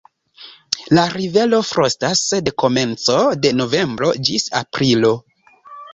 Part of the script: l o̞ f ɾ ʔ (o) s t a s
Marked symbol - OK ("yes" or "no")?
yes